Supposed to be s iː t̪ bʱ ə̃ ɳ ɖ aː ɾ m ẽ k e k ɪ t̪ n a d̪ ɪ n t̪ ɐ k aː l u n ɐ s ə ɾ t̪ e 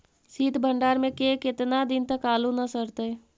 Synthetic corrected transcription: s iː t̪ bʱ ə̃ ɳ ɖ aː ɾ m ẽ k e k ɪ t̪ n a d̪ ɪ n t̪ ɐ k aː l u n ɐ s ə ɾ t̪ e